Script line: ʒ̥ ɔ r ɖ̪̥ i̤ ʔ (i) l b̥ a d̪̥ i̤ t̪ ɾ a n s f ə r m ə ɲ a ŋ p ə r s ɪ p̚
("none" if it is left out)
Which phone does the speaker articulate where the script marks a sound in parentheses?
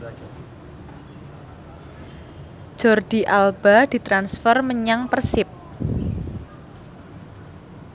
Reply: a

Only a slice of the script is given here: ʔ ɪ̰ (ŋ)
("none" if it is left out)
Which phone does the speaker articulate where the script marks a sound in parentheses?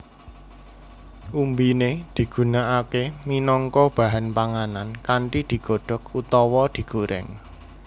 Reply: ŋ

